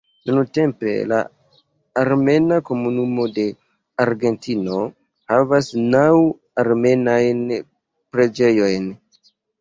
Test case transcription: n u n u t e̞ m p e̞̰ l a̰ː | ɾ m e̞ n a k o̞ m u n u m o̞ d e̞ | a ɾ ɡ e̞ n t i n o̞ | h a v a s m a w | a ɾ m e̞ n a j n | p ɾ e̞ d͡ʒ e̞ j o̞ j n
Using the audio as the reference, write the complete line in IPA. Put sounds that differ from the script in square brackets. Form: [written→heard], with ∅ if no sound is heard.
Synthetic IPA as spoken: n u n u t e̞ m p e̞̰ l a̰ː | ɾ m e̞ n a k o̞ m u n u m o̞ d e̞ | a ɾ ɡ e̞ n t i n o̞ | h a v a s [m→n] a w | a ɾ m e̞ n a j n | p ɾ e̞ d͡ʒ e̞ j o̞ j n